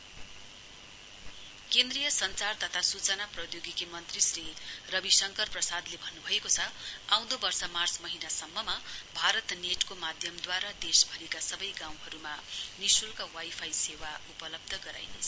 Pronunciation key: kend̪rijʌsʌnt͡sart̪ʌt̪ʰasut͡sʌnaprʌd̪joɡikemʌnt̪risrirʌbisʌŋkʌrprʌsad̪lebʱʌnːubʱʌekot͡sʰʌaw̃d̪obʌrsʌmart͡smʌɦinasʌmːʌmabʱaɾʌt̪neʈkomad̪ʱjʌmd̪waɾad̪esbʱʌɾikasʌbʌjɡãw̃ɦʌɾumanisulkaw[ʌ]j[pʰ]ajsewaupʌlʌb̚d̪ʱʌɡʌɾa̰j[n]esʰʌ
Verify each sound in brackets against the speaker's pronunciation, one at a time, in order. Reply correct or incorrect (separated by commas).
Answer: incorrect, correct, correct